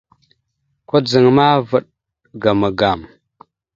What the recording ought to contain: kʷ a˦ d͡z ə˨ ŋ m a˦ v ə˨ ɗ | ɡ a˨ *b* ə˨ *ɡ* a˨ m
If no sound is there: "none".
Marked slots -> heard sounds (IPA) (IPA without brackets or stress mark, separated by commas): m, ɡ